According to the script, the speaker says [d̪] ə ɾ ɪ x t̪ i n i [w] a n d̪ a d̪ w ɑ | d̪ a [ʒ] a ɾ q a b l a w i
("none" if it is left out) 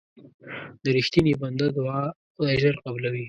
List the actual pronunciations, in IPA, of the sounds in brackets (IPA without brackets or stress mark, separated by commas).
d̪, b, ʒ